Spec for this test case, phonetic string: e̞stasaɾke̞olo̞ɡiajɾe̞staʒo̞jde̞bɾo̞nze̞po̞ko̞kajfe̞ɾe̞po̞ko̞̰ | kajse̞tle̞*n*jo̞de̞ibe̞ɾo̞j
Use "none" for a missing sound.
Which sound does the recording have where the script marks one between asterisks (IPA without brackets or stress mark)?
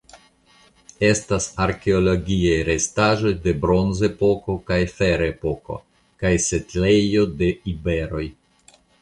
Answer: none